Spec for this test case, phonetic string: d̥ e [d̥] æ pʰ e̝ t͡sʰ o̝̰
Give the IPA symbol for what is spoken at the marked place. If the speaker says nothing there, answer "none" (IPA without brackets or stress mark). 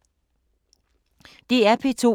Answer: none